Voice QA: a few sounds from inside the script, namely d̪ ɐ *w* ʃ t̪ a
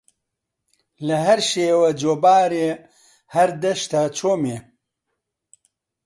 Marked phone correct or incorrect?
incorrect: none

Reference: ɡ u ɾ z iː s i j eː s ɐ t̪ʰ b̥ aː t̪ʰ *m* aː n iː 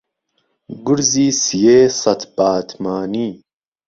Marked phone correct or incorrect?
correct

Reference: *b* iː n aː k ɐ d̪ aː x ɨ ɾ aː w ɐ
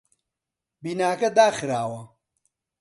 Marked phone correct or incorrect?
correct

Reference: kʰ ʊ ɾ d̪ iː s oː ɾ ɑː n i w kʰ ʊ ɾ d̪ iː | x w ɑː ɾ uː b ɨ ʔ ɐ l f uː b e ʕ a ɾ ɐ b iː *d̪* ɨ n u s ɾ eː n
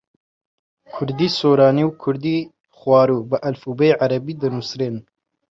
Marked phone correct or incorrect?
correct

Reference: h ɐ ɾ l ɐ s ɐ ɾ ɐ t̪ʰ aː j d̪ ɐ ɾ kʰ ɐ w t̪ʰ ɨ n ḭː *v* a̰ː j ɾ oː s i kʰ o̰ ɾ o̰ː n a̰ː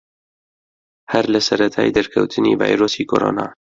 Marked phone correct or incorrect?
correct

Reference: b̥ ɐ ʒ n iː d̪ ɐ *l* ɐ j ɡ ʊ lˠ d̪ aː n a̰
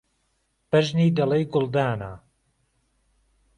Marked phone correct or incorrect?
correct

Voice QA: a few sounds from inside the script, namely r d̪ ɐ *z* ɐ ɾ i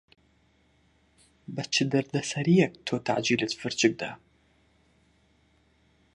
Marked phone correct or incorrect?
incorrect: s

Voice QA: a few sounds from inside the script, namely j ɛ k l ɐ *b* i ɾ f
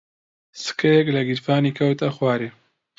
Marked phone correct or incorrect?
incorrect: ɡ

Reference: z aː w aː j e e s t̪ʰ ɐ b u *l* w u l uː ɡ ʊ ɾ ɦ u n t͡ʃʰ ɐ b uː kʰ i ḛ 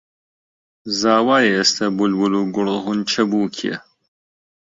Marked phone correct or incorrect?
correct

